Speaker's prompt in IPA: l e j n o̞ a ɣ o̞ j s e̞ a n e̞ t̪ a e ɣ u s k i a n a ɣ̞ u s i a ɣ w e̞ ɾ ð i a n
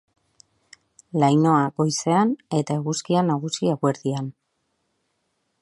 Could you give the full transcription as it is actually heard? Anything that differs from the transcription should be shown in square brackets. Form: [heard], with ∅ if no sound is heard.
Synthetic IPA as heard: l [a] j n o̞ a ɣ o̞ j s e̞ a n e̞ t̪ a e ɣ u s k i a n a ɣ̞ u s i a ɣ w e̞ ɾ ð i a n